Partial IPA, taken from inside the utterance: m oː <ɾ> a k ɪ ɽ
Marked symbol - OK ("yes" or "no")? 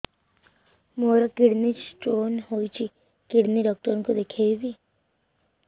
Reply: yes